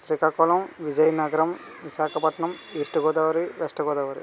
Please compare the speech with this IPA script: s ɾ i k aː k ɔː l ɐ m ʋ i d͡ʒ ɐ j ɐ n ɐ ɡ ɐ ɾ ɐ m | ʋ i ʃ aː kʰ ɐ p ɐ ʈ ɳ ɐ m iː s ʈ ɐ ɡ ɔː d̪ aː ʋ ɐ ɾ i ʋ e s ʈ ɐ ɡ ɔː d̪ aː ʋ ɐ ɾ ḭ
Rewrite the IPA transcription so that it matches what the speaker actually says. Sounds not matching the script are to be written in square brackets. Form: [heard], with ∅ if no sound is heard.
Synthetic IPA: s ɾ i k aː k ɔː l ɐ m ʋ i d͡ʒ ɐ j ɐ n ɐ ɡ ɐ ɾ ɐ m | ʋ i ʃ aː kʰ ɐ p ɐ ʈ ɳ ɐ m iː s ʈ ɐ ɡ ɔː d̪ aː ʋ ɐ ɾ i ʋ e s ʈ ɐ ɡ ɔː d̪ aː ʋ ɐ ɾ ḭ

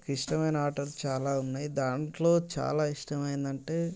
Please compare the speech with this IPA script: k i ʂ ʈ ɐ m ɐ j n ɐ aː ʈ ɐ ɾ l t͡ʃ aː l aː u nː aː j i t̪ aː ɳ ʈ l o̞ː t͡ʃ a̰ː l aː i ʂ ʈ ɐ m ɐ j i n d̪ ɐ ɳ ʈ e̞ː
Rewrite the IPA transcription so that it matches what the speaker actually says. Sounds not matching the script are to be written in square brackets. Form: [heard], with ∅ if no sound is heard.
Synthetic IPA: k i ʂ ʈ ɐ m ɐ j n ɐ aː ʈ ɐ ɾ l t͡ʃ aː l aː u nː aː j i [d̪] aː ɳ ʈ l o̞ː t͡ʃ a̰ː l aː i ʂ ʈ ɐ m ɐ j i n d̪ ɐ ɳ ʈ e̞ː

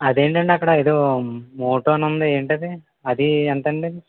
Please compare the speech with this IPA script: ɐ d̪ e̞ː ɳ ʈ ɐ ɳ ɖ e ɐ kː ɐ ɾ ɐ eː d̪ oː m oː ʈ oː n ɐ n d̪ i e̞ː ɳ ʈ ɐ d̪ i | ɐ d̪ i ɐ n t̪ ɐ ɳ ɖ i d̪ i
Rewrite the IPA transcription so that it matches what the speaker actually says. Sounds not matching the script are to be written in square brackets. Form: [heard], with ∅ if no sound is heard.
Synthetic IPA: ɐ d̪ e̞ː ɳ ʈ ɐ ɳ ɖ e ɐ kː ɐ [ɽ] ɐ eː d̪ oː m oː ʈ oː n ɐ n d̪ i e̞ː ɳ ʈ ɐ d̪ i | ɐ d̪ i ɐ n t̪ ɐ ɳ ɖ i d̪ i

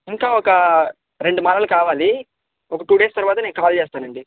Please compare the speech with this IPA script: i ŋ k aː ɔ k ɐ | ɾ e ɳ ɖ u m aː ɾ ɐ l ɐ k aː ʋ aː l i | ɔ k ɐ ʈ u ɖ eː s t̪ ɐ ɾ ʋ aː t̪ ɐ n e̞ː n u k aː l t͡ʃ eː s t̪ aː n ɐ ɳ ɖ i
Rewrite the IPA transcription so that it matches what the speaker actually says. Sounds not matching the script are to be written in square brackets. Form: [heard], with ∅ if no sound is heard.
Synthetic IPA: i ŋ k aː ɔ k ɐ | ɾ e ɳ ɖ u m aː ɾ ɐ l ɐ k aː ʋ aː l i | ɔ k ɐ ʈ [uː] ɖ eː s t̪ ɐ ɾ ʋ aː t̪ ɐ n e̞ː n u k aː l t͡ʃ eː s t̪ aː n ɐ ɳ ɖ i

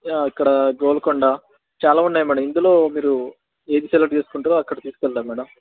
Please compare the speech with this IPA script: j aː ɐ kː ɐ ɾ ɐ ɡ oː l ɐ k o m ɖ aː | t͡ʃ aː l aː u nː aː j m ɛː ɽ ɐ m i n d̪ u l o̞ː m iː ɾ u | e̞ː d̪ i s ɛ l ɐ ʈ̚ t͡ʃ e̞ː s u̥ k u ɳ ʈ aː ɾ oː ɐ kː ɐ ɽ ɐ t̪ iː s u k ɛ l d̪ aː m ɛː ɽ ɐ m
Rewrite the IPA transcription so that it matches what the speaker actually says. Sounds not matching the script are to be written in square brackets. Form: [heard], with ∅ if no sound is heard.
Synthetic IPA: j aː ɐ kː ɐ [ɽ] ɐ ɡ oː l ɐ k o [ɳ] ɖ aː | t͡ʃ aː l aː u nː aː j m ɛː ɽ ɐ m i n d̪ u l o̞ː m iː ɾ u | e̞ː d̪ i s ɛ l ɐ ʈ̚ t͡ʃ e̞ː s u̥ k u ɳ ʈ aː ɾ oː ɐ kː ɐ ɽ ɐ t̪ iː s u k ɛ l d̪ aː m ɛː ɽ ɐ m

